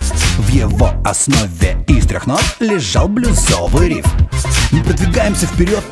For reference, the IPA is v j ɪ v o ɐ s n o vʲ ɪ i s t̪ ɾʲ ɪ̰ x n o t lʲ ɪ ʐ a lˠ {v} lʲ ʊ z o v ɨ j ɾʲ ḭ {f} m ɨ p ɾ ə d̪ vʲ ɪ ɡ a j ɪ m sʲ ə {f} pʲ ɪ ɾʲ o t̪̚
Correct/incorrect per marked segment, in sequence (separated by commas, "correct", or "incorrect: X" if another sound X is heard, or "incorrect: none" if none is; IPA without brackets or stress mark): incorrect: b, correct, correct